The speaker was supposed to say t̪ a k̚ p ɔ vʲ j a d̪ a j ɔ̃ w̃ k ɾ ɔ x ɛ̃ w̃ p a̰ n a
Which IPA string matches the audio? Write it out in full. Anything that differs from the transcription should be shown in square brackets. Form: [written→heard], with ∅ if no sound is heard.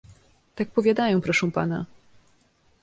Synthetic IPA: t̪ a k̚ p ɔ vʲ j a d̪ a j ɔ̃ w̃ [k→p] ɾ ɔ [x→ʂ] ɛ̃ w̃ p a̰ n a